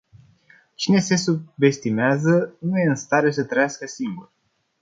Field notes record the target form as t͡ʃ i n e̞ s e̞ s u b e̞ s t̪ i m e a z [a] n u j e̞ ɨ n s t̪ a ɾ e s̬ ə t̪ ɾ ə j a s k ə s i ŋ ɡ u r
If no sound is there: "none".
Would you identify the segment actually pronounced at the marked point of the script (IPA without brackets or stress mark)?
ə